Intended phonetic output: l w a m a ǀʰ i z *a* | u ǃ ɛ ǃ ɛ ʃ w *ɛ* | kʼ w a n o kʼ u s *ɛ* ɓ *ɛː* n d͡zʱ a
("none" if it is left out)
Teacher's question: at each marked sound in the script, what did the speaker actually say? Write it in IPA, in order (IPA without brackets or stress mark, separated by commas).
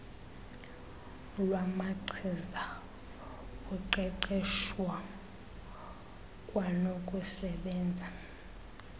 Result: a, a, ɛ, ɛː